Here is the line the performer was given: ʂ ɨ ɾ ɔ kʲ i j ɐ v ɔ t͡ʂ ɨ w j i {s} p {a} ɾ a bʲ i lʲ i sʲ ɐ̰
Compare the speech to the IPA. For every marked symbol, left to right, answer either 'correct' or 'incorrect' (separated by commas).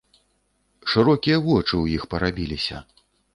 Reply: incorrect, incorrect